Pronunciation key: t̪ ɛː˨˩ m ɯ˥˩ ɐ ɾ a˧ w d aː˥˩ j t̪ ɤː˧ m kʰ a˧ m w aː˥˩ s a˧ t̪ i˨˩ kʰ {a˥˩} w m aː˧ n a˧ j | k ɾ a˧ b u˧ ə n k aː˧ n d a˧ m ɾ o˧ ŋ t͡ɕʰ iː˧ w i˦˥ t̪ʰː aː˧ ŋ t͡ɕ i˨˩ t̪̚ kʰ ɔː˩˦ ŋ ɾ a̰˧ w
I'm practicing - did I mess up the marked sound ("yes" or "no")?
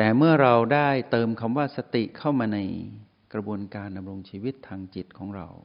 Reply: no